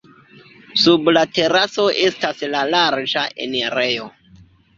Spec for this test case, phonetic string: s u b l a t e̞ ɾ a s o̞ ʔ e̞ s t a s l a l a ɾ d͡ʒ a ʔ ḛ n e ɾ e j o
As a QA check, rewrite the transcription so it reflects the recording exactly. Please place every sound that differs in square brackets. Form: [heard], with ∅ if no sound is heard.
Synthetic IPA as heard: s u b l a t e̞ ɾ a s o̞ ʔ e̞ s t a s l a l a ɾ d͡ʒ a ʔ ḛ n e ɾ e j o